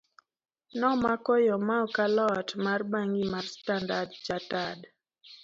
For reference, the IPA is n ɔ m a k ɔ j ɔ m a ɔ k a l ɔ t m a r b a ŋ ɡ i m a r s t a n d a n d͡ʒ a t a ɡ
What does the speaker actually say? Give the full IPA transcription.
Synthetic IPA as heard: n ɔ m a k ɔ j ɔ m a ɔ k a l ɔ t m a r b a ŋ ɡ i m a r s t a n d a d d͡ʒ a t a d